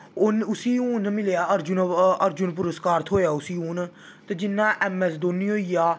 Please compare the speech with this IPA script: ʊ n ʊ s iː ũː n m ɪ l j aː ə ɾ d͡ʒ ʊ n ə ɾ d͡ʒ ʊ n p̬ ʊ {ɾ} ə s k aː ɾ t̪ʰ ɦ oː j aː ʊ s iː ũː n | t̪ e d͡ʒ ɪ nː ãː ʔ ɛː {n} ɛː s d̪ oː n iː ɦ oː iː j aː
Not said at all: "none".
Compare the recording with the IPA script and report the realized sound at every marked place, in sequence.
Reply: ɾ, m

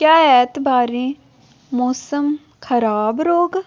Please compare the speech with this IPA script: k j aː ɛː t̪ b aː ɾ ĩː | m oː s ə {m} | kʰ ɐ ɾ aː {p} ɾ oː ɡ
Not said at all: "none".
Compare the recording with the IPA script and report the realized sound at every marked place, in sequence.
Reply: m, b

